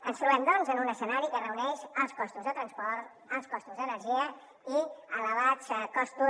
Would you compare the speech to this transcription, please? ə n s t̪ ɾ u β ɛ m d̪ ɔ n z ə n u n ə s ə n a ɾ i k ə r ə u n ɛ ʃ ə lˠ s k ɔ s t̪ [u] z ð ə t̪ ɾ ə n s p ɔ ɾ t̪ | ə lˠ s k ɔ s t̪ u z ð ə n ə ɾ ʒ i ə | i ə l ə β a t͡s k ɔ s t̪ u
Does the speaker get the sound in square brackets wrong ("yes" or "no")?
no